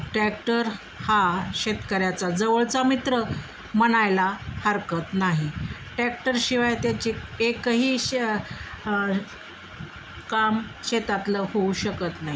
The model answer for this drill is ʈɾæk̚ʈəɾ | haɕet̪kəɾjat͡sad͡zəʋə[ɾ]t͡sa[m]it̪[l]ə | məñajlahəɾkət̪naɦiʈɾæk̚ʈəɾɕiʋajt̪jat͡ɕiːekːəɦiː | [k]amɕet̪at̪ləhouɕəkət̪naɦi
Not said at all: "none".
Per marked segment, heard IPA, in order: ɭ, m, ɾ, k

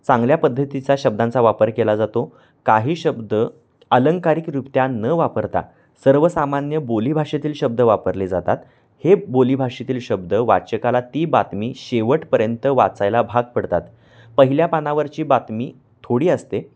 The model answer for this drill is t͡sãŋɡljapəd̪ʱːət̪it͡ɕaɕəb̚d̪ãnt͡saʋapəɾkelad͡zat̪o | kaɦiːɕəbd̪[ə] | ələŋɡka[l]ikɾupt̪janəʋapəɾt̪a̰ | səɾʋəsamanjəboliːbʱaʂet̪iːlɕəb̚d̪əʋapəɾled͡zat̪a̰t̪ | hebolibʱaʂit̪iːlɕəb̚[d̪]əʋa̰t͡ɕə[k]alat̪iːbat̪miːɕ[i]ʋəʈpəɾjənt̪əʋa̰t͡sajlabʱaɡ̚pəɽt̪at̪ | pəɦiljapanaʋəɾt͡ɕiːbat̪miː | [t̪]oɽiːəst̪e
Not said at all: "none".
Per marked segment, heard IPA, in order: ə, ɾ, d̪, k, e, t̪ʰ

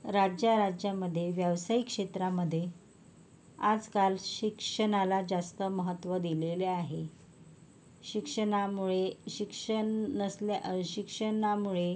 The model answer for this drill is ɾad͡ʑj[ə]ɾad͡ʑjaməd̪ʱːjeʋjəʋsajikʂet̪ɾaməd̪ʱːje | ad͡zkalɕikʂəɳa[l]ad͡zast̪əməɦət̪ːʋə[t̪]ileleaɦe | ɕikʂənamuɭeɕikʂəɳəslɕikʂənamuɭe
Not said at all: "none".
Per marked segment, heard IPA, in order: a, l, d̪

